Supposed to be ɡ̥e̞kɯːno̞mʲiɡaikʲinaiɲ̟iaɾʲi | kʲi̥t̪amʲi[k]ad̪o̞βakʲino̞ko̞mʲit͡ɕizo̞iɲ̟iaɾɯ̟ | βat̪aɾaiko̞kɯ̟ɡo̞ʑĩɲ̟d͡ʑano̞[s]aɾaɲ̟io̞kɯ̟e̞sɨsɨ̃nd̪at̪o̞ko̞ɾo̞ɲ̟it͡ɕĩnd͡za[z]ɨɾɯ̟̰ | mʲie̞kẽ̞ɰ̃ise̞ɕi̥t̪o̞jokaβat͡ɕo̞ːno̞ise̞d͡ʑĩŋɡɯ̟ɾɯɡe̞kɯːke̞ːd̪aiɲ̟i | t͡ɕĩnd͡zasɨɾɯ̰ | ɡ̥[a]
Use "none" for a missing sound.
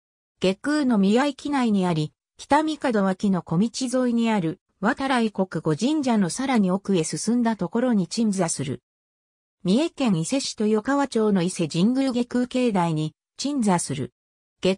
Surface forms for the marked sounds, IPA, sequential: k, s, s, e

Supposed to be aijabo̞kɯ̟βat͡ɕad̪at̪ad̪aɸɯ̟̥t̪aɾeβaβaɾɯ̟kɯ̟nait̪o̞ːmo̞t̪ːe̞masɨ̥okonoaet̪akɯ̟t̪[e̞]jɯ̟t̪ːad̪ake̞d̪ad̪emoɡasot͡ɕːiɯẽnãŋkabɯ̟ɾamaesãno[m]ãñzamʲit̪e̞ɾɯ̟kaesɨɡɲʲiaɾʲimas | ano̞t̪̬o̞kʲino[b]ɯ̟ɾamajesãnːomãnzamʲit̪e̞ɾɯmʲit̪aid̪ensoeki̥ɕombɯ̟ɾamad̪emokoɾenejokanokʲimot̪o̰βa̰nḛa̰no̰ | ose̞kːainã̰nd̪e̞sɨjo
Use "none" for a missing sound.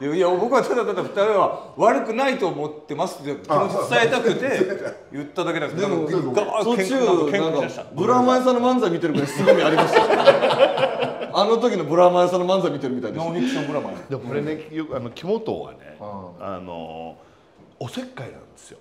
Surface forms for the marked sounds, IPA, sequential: e̞, m, b

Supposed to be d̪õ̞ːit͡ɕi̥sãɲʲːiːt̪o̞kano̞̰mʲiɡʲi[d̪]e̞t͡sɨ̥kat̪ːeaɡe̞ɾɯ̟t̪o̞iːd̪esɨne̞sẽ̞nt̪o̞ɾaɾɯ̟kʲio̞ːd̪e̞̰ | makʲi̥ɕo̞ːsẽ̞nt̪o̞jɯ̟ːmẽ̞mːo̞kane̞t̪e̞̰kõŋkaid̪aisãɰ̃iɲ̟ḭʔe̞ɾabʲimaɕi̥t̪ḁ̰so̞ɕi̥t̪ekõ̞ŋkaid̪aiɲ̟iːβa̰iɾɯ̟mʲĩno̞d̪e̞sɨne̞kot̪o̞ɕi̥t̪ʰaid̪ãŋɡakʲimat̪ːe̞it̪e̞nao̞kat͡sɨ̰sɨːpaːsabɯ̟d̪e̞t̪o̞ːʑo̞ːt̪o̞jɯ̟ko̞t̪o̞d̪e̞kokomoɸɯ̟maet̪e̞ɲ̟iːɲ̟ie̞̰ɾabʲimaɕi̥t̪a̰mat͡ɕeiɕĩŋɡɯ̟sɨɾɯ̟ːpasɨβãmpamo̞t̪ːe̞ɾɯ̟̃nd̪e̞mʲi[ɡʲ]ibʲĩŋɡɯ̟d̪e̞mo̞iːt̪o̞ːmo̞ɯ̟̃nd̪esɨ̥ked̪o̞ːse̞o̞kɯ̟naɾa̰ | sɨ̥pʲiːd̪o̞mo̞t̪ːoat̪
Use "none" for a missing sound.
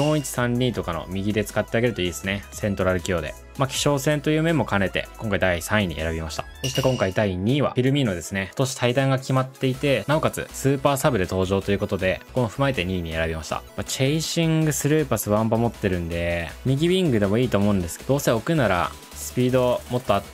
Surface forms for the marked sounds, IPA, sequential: d̪, ɡʲ

